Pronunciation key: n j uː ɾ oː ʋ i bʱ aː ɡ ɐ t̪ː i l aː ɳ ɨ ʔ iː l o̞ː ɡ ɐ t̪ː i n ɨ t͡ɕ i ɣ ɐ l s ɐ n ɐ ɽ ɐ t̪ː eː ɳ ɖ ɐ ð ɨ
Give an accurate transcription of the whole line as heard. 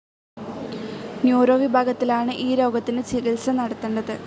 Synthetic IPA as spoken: n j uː ɾ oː ʋ i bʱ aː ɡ ɐ t̪ː i l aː ɳ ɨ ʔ iː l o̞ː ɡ ɐ t̪ː i n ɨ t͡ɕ i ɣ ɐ l s ɐ n ɐ ɽ ɐ t̪ː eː ɳ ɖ ɐ ð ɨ